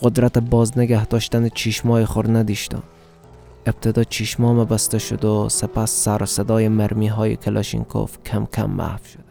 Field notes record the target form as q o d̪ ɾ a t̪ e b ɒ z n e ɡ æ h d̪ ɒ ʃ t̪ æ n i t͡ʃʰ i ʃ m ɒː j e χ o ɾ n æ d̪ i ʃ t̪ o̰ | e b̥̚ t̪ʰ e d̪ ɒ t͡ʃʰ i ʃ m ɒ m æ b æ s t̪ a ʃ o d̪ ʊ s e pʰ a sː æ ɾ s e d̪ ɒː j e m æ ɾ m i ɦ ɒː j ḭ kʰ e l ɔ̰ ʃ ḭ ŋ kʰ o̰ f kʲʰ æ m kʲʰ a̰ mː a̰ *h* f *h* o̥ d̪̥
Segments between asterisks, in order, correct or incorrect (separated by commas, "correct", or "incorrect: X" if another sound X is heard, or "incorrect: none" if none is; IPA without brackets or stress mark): correct, incorrect: ʃ